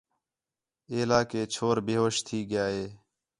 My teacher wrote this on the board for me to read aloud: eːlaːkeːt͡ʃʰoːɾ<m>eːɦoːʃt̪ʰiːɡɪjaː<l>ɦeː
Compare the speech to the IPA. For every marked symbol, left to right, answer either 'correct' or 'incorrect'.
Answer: incorrect, incorrect

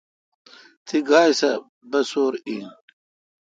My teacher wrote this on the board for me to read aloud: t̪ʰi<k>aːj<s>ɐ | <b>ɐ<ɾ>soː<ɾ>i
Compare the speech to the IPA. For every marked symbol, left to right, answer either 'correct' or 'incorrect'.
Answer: incorrect, correct, correct, incorrect, correct

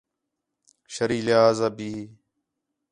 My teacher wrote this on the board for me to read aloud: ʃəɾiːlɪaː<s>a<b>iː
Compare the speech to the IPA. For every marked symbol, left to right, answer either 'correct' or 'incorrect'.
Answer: incorrect, correct

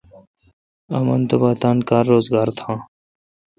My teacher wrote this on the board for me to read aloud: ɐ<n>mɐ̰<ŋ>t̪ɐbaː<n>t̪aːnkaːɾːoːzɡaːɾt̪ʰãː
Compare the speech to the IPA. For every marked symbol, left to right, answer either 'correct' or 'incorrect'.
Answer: incorrect, incorrect, incorrect

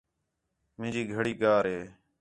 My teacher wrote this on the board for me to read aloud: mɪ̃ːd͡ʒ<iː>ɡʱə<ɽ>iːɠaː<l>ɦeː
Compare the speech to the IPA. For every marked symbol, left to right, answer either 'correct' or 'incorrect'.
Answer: correct, correct, incorrect

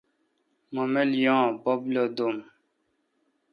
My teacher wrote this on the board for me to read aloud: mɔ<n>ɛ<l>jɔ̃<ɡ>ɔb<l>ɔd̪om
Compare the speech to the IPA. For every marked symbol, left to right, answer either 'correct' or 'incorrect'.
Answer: incorrect, correct, incorrect, correct

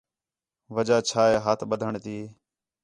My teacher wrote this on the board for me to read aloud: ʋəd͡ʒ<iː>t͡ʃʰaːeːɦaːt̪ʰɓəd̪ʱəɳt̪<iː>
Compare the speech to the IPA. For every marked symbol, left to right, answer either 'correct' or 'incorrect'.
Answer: incorrect, correct

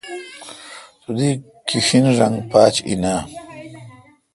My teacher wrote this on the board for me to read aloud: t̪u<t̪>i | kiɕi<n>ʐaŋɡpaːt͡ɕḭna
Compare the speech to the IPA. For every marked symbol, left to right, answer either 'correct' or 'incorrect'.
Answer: incorrect, correct

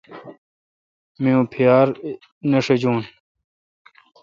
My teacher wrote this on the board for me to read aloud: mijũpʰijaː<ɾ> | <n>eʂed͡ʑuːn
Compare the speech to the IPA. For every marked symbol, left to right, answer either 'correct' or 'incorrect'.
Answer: correct, correct

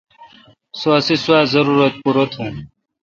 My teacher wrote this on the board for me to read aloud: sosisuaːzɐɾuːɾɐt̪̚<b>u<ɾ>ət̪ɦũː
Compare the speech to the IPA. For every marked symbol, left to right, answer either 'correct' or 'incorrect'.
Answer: incorrect, correct

